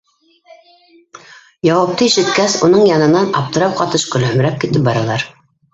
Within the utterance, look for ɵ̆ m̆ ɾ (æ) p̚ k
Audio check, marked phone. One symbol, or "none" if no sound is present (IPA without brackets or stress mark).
æ